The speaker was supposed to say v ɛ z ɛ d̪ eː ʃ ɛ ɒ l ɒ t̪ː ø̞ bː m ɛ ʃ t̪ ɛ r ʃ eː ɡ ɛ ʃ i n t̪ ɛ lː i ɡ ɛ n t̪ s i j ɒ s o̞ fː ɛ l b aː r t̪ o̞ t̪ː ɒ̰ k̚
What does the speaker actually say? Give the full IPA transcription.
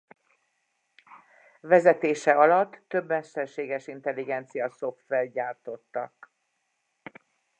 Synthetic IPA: v ɛ z ɛ t̪ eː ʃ ɛ ɒ l ɒ t̪ː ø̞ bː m ɛ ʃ t̪ ɛ r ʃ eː ɡ ɛ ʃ i n t̪ ɛ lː i ɡ ɛ n t̪ s i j ɒ s o̞ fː ɛ l ɟ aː r t̪ o̞ t̪ː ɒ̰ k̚